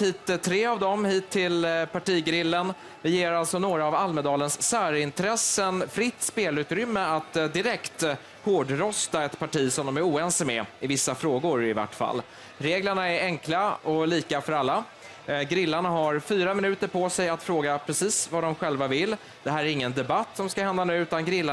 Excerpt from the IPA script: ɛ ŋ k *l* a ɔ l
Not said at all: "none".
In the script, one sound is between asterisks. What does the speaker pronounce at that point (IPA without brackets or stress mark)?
l